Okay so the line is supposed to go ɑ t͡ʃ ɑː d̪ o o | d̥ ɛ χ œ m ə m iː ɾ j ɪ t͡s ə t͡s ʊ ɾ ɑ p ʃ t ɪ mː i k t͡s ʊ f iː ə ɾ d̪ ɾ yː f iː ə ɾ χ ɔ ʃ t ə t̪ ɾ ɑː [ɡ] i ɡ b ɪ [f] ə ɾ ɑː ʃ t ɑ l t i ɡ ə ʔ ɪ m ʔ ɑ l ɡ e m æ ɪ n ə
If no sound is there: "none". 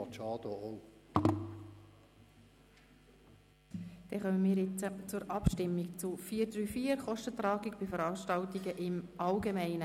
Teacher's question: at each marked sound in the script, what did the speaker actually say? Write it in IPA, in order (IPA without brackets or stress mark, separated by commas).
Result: ɡ, f